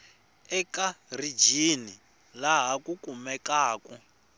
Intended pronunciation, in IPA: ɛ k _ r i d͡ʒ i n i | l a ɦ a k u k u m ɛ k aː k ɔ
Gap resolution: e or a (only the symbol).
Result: a